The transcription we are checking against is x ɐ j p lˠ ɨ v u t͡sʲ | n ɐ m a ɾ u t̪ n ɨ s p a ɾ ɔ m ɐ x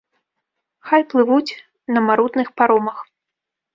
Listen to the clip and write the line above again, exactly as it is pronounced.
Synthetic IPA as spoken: x a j p lˠ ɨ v u t͡sʲ | n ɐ m a ɾ u t̪ n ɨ x p a ɾ ɔ m ɐ x